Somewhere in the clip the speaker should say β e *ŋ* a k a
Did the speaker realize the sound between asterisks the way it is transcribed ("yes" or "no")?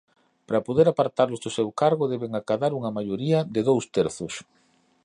yes